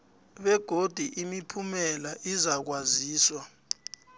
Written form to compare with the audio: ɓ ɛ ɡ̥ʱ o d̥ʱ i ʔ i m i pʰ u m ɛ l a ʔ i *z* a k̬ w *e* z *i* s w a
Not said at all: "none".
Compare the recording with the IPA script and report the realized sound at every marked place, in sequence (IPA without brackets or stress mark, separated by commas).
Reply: z, a, iː